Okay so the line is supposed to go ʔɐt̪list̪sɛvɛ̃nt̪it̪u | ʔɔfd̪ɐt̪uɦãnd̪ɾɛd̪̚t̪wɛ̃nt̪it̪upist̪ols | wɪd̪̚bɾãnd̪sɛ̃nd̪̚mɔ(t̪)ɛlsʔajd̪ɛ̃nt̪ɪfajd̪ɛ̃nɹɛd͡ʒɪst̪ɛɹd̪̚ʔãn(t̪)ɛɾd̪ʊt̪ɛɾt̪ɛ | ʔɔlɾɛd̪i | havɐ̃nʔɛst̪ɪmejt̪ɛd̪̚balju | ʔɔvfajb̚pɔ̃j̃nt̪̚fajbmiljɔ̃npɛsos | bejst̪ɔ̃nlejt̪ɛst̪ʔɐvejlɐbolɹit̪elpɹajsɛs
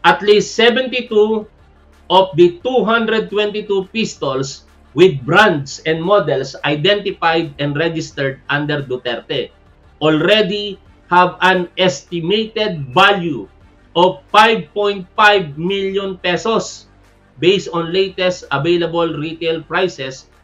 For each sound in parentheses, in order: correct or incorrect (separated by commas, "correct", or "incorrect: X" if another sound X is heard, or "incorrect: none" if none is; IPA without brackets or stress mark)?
incorrect: d̪, incorrect: d̪